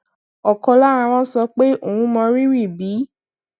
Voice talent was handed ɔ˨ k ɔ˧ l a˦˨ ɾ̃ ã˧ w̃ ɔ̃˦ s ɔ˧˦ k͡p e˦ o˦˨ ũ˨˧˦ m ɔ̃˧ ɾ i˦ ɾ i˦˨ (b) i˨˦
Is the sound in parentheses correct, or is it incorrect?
correct